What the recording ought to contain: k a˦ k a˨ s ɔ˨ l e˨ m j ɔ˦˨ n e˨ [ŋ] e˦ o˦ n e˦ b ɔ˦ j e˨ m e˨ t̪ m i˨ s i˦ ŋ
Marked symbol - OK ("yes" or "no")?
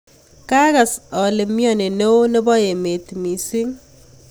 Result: no